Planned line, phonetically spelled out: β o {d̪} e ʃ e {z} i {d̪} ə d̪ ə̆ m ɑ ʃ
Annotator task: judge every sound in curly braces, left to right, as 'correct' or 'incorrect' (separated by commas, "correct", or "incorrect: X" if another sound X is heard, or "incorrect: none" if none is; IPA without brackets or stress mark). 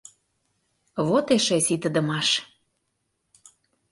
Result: incorrect: t̪, incorrect: s, incorrect: t̪